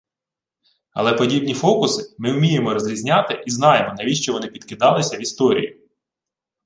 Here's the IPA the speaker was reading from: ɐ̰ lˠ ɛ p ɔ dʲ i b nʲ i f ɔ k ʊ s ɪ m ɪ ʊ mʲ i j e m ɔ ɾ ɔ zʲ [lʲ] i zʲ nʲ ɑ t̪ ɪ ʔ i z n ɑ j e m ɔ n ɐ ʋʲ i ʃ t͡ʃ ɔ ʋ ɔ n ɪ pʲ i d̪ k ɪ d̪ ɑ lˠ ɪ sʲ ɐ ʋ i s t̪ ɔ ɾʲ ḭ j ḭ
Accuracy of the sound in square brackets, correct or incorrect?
incorrect